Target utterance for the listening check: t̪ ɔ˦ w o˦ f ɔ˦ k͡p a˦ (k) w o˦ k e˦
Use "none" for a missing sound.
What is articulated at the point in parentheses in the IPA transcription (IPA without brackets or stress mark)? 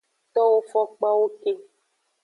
none